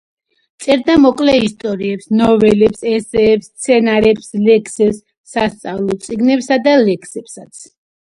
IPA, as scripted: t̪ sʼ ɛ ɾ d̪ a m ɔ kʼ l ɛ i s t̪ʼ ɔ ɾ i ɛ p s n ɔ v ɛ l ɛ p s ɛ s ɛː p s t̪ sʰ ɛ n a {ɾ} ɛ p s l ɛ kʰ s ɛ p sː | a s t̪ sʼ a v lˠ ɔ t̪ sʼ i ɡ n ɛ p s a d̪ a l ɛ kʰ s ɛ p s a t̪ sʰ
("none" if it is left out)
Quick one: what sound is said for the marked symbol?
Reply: ɾ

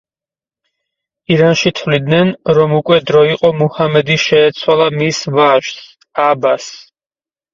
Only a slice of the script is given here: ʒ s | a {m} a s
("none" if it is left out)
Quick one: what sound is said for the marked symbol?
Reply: b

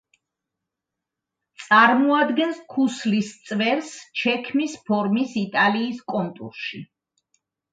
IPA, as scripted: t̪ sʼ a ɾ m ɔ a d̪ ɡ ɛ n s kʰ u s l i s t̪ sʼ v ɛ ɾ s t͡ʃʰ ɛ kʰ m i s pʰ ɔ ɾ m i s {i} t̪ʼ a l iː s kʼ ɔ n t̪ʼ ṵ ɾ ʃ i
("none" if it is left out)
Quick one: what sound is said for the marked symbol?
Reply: i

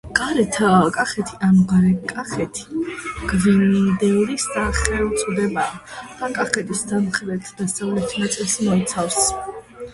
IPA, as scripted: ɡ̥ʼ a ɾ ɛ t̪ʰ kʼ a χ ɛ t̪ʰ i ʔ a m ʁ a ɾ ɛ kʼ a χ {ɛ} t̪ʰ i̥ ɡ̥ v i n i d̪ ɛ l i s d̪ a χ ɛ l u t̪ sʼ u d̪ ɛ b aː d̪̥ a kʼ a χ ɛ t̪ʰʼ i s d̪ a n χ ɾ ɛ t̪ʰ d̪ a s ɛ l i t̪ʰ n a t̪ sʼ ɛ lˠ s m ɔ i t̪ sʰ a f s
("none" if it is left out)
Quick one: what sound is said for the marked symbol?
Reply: ɛ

